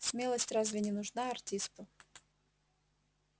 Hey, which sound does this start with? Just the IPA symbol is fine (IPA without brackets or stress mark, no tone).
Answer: s